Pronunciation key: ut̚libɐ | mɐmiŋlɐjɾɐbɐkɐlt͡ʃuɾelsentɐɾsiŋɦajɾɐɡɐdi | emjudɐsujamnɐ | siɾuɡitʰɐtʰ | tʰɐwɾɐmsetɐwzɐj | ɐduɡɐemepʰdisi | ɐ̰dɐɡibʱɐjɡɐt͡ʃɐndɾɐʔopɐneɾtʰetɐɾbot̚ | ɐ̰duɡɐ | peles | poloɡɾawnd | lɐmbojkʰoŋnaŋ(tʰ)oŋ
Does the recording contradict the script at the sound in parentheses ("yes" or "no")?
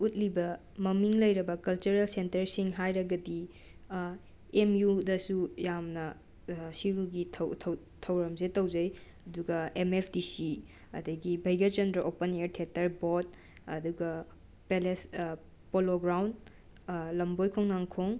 yes